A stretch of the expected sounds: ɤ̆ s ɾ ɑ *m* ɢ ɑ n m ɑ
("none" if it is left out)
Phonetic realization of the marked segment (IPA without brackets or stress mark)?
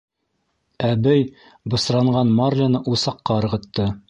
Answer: ɴ